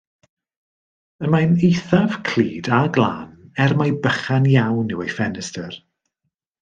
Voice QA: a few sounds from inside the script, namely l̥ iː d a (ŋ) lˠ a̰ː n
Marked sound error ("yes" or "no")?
yes